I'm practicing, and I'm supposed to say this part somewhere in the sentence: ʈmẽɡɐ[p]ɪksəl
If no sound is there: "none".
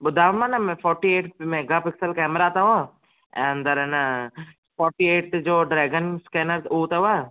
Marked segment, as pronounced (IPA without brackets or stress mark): p